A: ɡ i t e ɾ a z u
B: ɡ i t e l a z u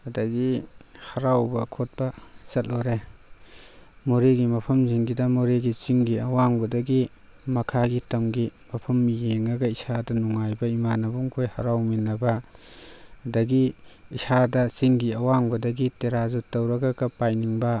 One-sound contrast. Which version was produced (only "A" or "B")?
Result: A